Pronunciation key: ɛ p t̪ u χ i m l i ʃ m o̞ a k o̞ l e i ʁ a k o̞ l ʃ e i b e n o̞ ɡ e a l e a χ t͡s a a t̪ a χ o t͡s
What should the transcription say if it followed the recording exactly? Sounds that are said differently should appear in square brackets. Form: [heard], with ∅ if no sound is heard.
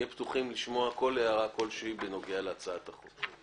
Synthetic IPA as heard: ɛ p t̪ u χ i m l i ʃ m o̞ a k o̞ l e [a] ʁ a k o̞ l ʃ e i b e n o̞ ɡ e a l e a [∅] t͡s a a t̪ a χ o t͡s